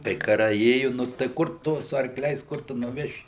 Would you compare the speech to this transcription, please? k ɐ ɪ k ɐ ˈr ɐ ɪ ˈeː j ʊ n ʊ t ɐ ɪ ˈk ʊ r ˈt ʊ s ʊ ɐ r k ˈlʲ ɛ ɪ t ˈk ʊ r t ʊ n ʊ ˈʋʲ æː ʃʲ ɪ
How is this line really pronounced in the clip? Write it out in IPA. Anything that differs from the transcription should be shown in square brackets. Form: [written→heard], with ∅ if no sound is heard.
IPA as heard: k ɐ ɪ k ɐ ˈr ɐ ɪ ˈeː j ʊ n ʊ t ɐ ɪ ˈk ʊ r ˈt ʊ s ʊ ɐ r k ˈlʲ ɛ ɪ [t→s] ˈk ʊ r t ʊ n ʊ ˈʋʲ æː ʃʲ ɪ